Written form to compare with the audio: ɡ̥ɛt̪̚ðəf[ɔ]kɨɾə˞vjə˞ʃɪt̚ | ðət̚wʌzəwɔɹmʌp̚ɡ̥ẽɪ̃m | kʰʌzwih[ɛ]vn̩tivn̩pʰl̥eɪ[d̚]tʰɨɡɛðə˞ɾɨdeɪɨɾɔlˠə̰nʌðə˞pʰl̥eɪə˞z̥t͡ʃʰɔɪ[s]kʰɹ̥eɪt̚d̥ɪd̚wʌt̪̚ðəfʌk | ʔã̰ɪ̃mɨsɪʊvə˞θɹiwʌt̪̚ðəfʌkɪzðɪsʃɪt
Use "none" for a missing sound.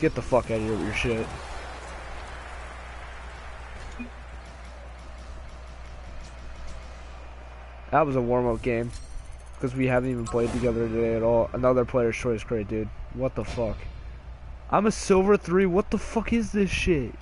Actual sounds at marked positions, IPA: ʌ, æ, d̚, s

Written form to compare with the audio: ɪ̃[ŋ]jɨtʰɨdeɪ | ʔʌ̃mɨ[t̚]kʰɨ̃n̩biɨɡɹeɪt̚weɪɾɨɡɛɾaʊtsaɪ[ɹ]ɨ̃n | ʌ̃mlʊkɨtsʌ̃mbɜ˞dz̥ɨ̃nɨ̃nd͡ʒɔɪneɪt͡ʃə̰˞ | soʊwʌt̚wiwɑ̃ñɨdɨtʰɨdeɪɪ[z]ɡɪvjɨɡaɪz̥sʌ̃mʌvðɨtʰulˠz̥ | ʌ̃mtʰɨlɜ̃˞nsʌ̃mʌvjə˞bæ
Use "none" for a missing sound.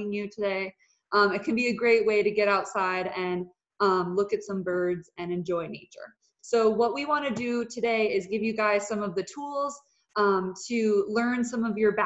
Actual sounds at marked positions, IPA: ŋ, t̚, ɾ, z

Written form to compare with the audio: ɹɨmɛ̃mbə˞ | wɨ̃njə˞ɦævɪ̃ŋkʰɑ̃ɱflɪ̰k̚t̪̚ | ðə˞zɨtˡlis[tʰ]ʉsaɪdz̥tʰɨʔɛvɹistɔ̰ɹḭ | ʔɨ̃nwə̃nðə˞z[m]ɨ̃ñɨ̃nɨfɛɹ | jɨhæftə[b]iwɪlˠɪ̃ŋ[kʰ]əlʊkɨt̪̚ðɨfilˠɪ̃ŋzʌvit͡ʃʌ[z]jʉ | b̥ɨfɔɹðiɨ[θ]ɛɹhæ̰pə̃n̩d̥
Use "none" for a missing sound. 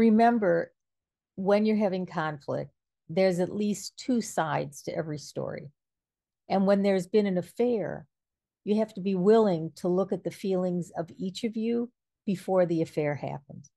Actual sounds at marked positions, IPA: tʰ, b, b, tʰ, v, f

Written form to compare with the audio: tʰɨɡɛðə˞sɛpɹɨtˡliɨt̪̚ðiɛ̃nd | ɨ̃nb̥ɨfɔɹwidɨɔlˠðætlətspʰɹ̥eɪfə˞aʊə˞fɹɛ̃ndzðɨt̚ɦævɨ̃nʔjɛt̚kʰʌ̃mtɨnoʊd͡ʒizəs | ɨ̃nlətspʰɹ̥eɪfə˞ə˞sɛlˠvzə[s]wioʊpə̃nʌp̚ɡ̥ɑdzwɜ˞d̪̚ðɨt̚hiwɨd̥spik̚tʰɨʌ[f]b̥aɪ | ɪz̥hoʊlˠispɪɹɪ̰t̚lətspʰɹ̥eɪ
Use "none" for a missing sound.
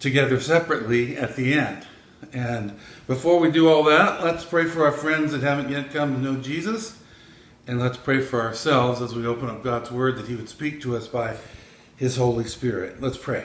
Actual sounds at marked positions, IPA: z, s

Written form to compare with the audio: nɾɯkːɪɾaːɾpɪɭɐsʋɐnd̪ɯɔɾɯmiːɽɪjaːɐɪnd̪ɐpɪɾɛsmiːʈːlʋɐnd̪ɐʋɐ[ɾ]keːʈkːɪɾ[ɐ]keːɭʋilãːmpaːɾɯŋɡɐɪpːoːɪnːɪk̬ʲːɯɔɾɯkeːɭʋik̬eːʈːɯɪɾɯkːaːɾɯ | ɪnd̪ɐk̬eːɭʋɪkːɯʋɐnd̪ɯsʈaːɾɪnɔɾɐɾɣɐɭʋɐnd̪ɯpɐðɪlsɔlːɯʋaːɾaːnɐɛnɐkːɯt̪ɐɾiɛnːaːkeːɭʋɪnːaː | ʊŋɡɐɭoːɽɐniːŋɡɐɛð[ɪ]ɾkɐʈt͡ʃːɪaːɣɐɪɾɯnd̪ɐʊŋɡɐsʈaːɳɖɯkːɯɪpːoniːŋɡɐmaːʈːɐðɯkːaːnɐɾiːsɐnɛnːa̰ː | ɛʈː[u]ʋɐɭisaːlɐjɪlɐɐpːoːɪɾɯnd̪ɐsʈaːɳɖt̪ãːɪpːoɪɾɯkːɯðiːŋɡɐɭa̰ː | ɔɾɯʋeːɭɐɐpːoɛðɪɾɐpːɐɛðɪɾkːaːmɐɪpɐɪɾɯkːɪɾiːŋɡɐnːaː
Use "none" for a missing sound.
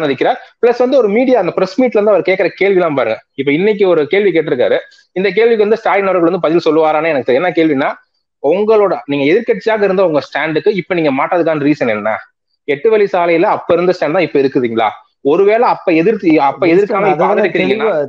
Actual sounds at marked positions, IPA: ɾ, ɐ, ɪ, ɯ

